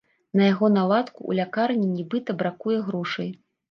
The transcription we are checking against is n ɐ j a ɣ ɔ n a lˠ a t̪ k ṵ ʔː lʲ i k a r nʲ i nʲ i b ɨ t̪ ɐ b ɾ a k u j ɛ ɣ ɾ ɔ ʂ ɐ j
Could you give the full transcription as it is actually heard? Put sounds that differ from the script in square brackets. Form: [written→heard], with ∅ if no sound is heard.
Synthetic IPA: n ɐ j a ɣ ɔ n a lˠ a t̪ k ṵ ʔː lʲ [i→a] k a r nʲ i nʲ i b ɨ t̪ ɐ b ɾ a k u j ɛ ɣ ɾ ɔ ʂ ɐ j